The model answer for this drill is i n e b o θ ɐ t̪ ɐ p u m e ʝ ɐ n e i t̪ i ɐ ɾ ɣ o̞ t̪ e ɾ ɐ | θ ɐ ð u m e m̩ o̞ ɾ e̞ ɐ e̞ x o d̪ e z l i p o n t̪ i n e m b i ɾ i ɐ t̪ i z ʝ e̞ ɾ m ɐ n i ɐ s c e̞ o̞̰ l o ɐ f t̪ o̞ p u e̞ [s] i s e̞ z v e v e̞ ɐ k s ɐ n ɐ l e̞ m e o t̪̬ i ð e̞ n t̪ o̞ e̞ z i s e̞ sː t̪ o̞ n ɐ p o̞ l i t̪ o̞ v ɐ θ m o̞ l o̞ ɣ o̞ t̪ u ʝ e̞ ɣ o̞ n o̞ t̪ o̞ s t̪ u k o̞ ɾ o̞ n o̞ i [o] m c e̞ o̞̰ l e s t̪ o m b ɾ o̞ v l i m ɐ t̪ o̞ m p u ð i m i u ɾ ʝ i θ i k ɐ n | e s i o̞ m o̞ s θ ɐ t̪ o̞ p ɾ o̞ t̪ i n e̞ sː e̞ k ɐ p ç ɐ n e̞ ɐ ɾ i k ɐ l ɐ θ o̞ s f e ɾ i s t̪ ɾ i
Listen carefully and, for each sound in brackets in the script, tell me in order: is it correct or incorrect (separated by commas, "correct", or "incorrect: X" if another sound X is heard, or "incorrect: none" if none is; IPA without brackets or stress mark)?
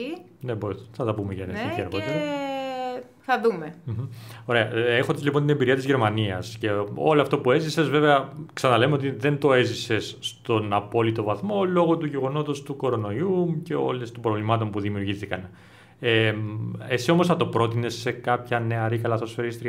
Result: incorrect: z, incorrect: u